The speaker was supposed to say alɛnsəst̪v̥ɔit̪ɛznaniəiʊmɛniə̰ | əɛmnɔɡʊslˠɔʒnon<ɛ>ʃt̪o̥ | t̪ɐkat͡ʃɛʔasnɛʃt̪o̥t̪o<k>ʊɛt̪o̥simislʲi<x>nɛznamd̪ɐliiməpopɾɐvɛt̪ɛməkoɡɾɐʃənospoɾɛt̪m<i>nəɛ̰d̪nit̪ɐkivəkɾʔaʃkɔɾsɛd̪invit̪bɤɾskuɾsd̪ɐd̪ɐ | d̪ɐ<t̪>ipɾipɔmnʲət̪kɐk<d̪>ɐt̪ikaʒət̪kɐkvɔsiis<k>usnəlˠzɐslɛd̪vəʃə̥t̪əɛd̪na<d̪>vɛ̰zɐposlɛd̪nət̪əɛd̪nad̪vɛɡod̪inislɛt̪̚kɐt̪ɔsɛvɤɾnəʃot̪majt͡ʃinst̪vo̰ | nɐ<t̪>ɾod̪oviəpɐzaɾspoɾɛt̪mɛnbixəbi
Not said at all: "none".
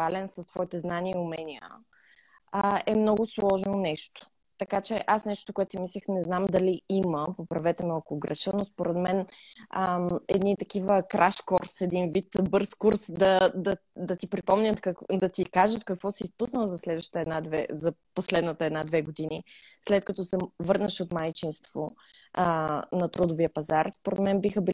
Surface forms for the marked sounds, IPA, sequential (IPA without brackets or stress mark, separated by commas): ɛ, k, x, ɛ, t̪, d̪, p, d̪, t̪